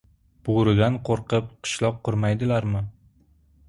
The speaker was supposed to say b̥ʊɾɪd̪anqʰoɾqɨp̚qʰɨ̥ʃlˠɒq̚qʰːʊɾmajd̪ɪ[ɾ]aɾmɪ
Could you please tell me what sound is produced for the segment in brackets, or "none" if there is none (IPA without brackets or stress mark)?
l